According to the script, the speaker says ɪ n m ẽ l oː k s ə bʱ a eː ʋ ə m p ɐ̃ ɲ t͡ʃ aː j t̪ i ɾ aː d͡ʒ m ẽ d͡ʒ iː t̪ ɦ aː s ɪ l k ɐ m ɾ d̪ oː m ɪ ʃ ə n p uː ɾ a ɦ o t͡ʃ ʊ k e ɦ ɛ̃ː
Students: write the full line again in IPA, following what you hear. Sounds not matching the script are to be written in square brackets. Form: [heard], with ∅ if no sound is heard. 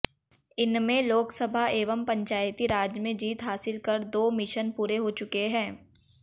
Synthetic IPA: ɪ n m ẽ l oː k s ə bʱ a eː ʋ ə m p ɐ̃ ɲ t͡ʃ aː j t̪ i ɾ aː d͡ʒ m ẽ d͡ʒ iː t̪ ɦ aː s ɪ l k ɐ [∅] ɾ d̪ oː m ɪ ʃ ə n p uː ɾ [e] ɦ o t͡ʃ ʊ k e ɦ ɛ̃ː